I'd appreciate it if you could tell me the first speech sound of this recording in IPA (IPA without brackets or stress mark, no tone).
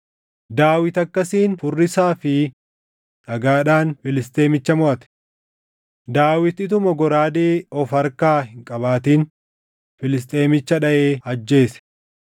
d̪